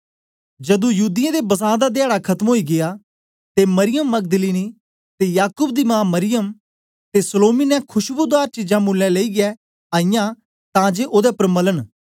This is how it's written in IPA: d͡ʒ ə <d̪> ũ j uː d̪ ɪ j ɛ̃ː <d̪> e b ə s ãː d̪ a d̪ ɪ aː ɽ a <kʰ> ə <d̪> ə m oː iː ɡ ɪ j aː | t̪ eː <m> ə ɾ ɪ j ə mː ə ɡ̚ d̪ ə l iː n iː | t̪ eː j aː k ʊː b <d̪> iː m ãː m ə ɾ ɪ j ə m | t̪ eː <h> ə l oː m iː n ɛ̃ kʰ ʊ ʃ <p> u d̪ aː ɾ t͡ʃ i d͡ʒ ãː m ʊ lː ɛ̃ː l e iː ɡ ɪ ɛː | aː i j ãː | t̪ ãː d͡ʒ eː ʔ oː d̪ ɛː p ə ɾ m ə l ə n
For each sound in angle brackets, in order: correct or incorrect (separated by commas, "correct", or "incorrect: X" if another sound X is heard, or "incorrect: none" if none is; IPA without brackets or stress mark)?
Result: correct, correct, correct, incorrect: t̪, correct, correct, incorrect: s, incorrect: b